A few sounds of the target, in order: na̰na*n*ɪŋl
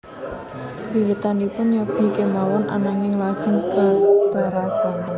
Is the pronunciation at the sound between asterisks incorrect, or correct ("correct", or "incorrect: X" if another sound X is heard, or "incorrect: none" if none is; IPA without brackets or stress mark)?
incorrect: ŋ